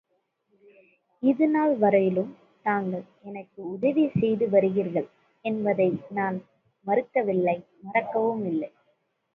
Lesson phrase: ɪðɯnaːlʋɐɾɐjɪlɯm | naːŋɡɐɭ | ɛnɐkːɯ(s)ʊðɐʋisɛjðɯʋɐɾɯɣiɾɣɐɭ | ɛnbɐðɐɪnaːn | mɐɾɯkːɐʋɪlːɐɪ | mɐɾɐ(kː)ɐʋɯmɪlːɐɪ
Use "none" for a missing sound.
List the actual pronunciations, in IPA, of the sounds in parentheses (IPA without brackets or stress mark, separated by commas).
none, kː